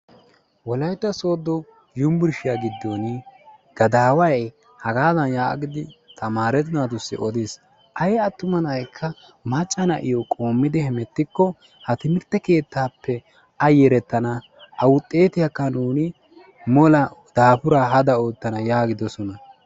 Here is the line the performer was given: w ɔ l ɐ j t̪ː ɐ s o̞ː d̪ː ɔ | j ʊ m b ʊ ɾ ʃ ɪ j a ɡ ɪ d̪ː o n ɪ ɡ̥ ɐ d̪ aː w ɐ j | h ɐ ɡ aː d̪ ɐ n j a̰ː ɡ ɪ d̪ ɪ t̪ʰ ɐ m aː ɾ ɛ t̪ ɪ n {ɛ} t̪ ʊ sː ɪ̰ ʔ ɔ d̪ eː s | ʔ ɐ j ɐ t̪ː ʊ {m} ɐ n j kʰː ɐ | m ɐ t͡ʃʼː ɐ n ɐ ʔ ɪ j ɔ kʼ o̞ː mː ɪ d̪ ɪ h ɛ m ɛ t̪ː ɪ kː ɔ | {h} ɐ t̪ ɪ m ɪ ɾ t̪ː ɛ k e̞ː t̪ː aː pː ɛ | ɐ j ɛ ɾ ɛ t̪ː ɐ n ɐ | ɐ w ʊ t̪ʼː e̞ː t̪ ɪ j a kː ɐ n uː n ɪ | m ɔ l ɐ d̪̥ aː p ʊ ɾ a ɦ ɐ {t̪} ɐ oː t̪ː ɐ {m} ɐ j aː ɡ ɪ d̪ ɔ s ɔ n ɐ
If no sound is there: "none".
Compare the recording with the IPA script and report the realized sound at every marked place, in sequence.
a, m, h, d̪, n

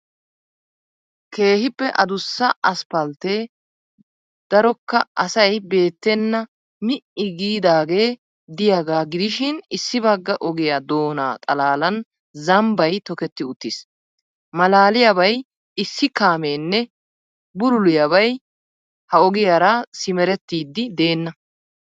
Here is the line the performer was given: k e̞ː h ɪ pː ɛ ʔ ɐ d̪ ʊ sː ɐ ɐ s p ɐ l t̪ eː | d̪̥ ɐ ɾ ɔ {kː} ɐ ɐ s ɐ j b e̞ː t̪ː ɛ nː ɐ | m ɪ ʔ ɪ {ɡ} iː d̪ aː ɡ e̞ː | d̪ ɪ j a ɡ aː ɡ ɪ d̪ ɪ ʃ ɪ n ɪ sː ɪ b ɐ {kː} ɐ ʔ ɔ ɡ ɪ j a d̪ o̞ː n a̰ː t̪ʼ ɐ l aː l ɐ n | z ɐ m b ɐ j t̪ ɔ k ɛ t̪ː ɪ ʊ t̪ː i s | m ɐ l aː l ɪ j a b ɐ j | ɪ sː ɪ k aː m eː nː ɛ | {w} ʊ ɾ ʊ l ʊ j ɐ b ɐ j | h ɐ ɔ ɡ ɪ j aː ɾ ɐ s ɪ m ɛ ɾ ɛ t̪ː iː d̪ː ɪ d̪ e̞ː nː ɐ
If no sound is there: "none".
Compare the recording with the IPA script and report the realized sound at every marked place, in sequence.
kː, ɡ, ɡː, b

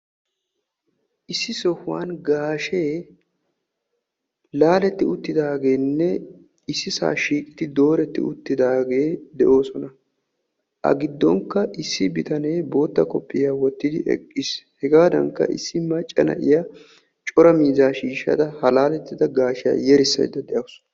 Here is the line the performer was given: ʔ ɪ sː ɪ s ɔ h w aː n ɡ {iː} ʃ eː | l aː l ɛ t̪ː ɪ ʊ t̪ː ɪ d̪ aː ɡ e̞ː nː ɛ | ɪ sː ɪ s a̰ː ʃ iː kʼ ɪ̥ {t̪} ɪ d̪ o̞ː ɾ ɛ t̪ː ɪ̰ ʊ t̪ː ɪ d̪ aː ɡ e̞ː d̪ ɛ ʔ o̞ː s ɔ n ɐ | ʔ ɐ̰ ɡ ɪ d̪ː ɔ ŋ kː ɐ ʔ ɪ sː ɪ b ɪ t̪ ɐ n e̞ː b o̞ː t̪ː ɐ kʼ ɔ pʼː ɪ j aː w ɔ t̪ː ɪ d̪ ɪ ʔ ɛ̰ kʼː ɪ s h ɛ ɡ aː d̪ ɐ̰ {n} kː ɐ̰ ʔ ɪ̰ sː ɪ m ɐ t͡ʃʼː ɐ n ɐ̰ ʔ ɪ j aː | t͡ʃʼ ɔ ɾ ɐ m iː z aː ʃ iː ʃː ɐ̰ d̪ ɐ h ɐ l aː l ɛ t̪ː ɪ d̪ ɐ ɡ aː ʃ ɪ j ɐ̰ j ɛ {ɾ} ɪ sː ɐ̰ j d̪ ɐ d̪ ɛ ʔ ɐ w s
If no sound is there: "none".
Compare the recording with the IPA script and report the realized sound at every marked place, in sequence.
aː, t̪, ŋ, ɾ

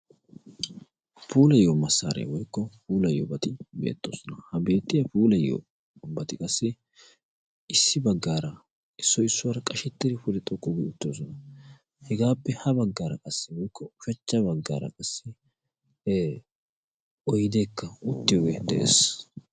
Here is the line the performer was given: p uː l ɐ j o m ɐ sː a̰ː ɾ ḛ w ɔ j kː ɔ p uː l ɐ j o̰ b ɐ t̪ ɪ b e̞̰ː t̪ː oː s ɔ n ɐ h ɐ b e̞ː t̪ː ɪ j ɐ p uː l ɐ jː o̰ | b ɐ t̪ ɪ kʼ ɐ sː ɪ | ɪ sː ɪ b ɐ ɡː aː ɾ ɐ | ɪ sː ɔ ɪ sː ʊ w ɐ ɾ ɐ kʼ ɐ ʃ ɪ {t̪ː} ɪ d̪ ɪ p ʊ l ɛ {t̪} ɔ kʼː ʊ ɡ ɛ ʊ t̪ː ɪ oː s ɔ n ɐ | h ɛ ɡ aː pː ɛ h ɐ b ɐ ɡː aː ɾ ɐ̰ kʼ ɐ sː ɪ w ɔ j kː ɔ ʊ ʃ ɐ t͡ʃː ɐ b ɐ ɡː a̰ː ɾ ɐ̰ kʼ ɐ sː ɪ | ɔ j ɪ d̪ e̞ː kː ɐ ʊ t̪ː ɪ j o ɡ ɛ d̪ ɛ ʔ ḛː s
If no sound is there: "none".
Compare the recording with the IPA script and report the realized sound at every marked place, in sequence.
t̪ː, t̪ʼ

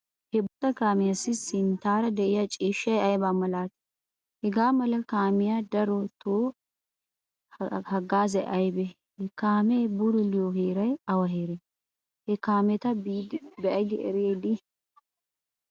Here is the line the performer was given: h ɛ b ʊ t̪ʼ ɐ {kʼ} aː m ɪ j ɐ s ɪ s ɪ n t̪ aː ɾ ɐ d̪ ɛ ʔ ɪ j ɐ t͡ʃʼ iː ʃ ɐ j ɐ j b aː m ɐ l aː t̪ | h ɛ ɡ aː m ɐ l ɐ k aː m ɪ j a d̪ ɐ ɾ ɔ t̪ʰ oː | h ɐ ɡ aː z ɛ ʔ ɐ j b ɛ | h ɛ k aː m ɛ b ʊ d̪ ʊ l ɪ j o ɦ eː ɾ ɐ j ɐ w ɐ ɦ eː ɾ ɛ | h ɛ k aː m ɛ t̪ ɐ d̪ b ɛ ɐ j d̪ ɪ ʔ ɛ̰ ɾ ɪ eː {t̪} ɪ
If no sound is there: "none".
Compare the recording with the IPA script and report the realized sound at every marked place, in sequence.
k, d̪

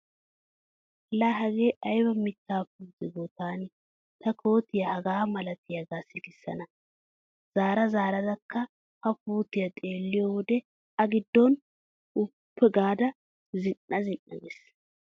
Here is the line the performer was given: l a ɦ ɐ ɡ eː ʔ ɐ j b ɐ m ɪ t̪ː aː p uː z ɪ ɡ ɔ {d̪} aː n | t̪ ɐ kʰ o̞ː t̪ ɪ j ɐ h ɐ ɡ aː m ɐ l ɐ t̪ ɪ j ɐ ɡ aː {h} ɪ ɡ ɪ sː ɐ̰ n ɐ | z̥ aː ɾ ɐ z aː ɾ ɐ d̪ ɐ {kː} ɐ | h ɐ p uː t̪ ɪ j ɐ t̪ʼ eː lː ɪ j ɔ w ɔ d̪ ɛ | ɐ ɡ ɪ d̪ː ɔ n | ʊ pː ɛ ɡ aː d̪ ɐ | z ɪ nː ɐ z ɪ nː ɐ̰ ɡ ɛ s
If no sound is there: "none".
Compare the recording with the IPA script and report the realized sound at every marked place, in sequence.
t̪, s, kː

